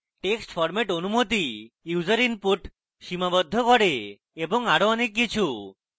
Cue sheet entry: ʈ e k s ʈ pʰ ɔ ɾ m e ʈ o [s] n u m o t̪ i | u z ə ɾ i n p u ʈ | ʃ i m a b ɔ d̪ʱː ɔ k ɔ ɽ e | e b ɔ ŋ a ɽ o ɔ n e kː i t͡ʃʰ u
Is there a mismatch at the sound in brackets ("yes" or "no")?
yes